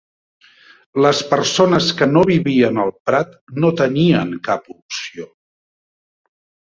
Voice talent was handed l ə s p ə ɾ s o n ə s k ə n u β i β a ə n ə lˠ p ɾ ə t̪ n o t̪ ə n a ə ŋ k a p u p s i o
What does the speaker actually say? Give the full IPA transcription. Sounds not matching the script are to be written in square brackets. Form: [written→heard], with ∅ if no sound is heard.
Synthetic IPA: l ə s p ə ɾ s o n ə s k ə n [u→o] β i β [a→i] ə n ə lˠ p ɾ [ə→a] t̪ n o t̪ ə n [a→i] ə ŋ k a p u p s i o